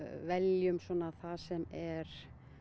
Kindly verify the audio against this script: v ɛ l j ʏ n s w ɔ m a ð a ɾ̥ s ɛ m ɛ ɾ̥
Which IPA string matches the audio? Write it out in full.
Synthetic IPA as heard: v ɛ l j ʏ m s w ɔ n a θ a s ɛ m ɛ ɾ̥